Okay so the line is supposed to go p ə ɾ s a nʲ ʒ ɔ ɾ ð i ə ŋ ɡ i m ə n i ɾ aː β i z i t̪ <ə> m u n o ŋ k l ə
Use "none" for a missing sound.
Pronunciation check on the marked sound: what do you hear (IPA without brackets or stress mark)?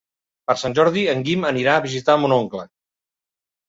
a